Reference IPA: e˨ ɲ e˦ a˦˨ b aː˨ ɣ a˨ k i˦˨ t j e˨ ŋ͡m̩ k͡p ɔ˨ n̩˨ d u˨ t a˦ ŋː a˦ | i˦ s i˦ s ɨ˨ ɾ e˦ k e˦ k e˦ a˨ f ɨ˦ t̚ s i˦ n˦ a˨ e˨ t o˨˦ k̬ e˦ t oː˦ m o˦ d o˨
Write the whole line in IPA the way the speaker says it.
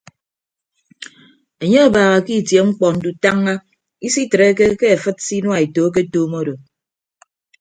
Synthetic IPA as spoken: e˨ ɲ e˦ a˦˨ b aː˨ ɣ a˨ k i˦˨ t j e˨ ŋ͡m̩ k͡p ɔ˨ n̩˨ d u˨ t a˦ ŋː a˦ | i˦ s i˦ t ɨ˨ ɾ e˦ k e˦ k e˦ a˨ f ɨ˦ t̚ s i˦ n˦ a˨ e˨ t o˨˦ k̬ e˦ t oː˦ m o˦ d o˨